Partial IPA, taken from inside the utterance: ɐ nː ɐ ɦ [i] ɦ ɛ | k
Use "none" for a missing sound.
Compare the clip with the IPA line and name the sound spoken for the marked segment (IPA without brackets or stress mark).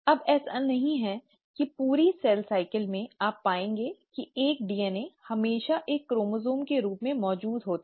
ĩ